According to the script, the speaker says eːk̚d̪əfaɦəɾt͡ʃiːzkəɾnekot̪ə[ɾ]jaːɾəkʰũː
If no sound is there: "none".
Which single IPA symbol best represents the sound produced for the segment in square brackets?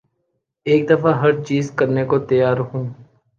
none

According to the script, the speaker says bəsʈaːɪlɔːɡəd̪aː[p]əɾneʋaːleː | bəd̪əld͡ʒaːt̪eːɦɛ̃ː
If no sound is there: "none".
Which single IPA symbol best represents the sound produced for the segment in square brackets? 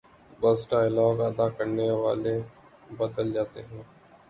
k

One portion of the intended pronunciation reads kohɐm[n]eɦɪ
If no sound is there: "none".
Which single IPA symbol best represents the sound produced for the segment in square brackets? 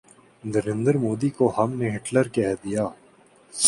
n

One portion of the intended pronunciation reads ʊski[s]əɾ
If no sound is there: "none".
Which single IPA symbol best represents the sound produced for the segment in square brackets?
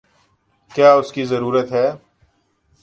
z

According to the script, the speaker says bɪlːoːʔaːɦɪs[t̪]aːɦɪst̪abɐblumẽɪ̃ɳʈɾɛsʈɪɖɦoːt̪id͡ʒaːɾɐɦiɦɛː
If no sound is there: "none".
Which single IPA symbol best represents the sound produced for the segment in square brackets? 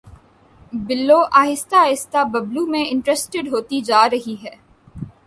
t̪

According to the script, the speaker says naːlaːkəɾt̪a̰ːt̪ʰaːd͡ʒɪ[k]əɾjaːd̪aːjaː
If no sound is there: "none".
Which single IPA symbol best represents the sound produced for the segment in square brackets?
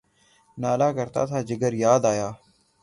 ɡ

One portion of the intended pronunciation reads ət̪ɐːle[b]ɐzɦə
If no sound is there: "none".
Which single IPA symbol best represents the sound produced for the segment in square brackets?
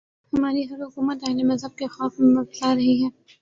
m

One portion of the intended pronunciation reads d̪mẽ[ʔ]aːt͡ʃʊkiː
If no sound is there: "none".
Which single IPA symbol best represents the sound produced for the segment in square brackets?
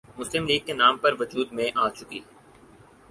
ʔ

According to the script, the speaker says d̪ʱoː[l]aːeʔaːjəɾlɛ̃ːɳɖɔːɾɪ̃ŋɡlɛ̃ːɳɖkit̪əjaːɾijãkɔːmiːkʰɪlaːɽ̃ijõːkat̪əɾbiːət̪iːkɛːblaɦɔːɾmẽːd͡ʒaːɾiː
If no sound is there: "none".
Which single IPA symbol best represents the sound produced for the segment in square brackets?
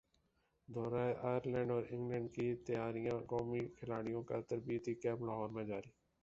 ɾ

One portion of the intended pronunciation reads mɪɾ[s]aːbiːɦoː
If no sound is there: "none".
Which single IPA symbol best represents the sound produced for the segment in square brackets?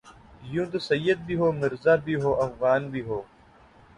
z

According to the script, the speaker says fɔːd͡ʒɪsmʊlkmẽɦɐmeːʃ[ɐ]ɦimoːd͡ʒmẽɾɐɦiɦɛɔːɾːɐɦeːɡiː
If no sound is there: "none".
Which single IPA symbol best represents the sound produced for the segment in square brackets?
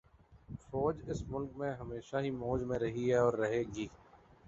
a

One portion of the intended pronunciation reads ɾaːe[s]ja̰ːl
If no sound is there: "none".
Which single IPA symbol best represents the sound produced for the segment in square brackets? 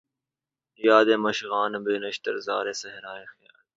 x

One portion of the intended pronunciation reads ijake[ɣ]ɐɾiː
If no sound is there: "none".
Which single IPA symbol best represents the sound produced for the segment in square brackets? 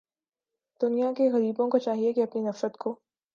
ɣ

